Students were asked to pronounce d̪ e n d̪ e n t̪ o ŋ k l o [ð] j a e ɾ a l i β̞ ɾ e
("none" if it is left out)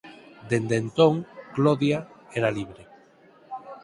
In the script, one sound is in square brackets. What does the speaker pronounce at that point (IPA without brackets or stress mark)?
ð